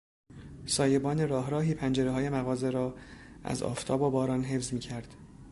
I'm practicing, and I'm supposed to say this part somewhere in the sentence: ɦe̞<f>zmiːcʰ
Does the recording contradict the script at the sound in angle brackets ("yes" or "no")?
no